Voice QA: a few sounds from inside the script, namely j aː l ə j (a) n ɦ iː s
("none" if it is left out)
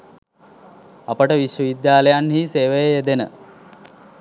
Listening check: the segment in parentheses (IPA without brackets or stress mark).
a